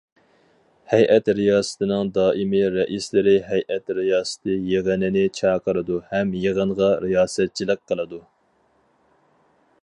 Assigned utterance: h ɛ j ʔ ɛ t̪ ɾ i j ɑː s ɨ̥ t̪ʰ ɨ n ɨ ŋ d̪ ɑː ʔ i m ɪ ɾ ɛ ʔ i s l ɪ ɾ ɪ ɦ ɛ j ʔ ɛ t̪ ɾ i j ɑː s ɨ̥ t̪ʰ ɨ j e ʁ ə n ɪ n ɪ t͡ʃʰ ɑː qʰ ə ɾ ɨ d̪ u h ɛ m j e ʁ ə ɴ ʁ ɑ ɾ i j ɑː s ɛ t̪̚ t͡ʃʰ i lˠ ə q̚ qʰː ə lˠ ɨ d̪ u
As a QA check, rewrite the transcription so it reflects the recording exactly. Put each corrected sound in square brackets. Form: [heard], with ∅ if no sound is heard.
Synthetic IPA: h ɛ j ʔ ɛ t̪ ɾ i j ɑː s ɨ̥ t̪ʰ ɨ n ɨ ŋ d̪ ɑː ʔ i m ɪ ɾ ɛ ʔ i s l ɪ ɾ ɪ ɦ ɛ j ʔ ɛ t̪ ɾ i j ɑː s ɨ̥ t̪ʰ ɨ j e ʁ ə n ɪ n ɪ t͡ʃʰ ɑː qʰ ə ɾ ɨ d̪ u h ɛ m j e ʁ ə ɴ ʁ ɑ ɾ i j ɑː s ɛ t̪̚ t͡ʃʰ i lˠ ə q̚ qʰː ə lˠ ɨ d̪ u